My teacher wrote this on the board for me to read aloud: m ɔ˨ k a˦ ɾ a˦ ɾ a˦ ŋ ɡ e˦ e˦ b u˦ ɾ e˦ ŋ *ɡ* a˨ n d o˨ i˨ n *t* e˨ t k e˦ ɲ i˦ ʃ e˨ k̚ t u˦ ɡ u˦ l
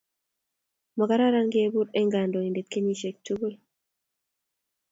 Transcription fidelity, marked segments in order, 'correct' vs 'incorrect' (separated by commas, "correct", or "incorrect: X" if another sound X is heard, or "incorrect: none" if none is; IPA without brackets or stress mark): correct, incorrect: d